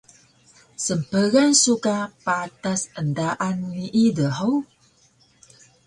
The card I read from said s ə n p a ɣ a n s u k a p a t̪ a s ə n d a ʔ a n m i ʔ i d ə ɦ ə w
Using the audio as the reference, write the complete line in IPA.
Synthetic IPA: s ə m p ə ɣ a n s u k a p a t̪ a s ə n d a ʔ a n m i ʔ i d ə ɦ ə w